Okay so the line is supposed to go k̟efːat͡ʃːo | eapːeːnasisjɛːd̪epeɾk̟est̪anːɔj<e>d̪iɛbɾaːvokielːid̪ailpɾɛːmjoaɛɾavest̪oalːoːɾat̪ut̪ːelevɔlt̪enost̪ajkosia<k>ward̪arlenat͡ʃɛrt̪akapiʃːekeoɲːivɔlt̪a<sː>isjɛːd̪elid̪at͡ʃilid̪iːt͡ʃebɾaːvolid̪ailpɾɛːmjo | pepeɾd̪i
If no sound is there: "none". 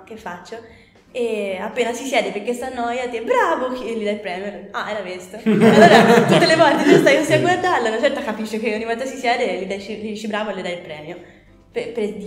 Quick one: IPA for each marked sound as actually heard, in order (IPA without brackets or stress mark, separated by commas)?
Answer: a, ɡ, s